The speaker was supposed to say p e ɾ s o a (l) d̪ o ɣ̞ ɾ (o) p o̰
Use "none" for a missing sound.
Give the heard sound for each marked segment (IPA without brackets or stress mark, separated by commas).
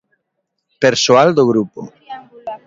l, u